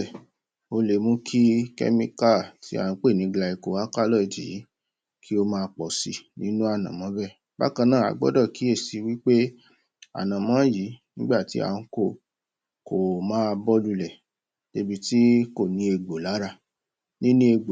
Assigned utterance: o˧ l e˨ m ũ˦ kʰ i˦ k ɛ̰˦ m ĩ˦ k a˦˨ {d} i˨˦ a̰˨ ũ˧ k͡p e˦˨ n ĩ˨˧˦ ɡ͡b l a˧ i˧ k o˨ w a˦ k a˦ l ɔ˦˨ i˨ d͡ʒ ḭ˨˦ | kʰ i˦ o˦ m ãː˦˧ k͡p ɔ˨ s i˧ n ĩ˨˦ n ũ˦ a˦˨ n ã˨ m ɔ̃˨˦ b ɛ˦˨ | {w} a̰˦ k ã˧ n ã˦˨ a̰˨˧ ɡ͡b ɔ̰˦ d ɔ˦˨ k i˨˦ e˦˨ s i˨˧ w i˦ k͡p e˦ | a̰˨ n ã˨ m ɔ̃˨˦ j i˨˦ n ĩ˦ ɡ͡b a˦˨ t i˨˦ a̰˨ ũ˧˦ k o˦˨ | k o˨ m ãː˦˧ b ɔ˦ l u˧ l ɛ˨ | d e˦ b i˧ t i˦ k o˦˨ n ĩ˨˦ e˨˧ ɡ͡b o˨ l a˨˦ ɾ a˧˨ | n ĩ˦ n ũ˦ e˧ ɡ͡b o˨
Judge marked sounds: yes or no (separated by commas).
no, no